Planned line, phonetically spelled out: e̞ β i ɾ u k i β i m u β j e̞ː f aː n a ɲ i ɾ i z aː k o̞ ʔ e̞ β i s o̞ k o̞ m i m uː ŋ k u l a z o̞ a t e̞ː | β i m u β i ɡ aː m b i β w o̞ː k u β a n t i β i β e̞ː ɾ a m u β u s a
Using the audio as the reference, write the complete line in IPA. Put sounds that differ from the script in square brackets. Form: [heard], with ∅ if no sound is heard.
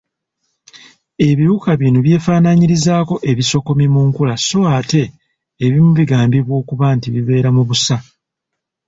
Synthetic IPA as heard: e̞ β i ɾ u k [a] β i [n] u β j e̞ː f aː n a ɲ i ɾ i z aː k o̞ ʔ e̞ β i s o̞ k o̞ m i m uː ŋ k u l a [s] o̞ a t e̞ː | β i m u β i ɡ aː m b i β w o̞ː k u β a n t i β i β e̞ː ɾ a m u β u s a